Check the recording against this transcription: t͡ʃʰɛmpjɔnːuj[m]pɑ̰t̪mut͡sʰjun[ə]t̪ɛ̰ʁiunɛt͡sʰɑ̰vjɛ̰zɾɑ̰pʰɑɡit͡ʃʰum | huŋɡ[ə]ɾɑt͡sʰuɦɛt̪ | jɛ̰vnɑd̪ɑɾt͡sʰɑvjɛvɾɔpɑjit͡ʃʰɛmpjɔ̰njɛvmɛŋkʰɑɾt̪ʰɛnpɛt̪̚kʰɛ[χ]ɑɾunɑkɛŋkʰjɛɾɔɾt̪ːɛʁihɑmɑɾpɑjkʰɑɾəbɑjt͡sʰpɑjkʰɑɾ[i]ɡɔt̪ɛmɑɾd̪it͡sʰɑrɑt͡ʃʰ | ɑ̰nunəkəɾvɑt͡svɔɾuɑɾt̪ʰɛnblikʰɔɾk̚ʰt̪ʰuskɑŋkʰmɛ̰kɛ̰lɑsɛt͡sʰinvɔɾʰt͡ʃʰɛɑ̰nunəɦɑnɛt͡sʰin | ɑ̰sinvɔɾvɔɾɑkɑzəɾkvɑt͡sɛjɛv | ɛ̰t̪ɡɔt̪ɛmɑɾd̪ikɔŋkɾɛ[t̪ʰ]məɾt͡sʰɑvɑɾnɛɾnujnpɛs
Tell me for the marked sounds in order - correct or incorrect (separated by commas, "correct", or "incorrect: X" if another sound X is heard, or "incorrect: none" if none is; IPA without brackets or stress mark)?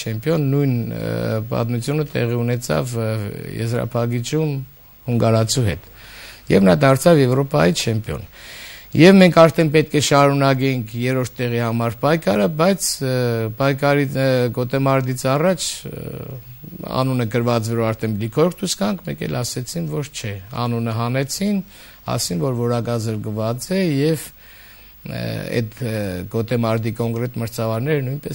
incorrect: n, correct, incorrect: ɑ, incorrect: ʃ, correct, incorrect: t̪